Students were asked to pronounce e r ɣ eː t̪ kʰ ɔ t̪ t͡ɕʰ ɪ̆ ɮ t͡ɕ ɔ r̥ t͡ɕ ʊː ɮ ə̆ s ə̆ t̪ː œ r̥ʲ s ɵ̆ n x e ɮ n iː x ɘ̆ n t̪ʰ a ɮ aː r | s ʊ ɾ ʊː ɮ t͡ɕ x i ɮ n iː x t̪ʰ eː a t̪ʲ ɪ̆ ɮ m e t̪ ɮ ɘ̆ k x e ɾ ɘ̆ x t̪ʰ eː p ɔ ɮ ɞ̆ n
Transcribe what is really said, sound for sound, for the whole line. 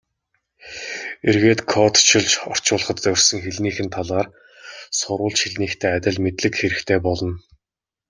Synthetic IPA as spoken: e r ɣ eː t̪ kʰ ɔ t̪ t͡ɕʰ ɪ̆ ɮ t͡ɕ ɔ r̥ t͡ɕ ʊː ɮ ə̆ χ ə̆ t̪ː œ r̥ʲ s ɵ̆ ŋ x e ɮ n iː x ɘ̆ n t̪ʰ a ɮ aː r | s ʊ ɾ ʊː ɮ t͡ɕ x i ɮ n iː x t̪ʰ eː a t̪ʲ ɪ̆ ɮ m e t̪ ɮ ɘ̆ k x e ɾ ɘ̆ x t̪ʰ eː p ɔ ɮ ɞ̆ n

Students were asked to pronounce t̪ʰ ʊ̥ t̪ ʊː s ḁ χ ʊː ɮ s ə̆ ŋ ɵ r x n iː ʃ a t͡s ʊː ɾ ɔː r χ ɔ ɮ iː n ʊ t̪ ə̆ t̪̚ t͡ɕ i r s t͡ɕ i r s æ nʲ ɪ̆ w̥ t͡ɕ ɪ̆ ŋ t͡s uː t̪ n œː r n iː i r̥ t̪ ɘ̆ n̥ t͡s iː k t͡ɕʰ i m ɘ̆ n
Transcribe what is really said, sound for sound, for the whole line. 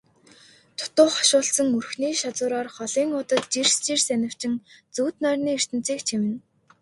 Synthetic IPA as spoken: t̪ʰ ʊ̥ t̪ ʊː χ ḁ ʃ ʊː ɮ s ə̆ ŋ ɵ r x n iː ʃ a t͡s ʊː ɾ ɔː r χ ɔ ɮ iː ŋ ʊ t̪ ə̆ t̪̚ t͡ɕ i r s t͡ɕ i r s æ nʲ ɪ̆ w̥ t͡ɕ ɪ̆ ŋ t͡s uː t̪ n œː r n iː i r̥ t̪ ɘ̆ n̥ t͡s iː k t͡ɕʰ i m ɘ̆ n

